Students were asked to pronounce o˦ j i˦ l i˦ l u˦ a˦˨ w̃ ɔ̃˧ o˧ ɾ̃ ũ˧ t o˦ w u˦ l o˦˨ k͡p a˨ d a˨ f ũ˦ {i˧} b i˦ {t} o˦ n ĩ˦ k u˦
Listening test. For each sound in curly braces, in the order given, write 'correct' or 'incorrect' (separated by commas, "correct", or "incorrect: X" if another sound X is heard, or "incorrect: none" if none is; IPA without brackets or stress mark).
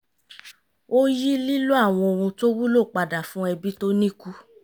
incorrect: ɛ˧, correct